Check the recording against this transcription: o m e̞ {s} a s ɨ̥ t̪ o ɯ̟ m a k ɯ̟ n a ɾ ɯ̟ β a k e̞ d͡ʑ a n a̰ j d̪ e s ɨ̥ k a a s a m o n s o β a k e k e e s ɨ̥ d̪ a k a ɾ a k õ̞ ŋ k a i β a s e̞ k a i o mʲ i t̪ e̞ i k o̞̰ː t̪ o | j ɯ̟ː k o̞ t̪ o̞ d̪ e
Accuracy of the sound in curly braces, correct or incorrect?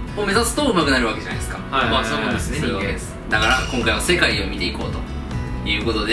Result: incorrect